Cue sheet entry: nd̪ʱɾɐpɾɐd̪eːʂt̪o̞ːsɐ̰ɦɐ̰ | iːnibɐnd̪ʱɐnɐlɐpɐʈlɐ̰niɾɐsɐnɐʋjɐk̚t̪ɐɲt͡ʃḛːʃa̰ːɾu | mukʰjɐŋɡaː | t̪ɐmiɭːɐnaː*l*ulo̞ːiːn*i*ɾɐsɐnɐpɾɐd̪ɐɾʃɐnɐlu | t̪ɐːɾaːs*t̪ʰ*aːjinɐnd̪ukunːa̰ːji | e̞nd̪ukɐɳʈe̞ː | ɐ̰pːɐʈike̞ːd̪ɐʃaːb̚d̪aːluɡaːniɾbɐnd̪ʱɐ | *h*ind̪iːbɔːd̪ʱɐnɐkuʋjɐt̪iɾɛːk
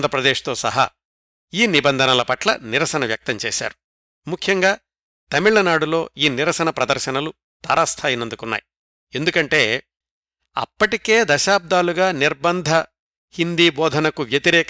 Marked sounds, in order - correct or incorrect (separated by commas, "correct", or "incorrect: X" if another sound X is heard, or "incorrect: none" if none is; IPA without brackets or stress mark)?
incorrect: ɽ, correct, correct, correct